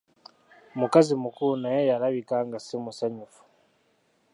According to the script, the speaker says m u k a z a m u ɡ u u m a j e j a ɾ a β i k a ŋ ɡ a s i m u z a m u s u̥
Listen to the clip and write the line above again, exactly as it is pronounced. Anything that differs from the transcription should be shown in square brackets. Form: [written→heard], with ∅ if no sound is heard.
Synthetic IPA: m u k a z [a→i] m u [ɡ→k] u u [m→n] a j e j a ɾ a β i k a ŋ ɡ a s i m u [z→s] a [m→ɲ] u [s→f] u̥